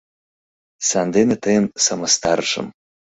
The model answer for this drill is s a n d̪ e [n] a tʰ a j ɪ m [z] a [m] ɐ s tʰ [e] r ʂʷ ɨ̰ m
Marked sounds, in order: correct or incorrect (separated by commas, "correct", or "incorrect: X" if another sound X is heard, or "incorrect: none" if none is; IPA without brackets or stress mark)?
correct, incorrect: s, correct, incorrect: a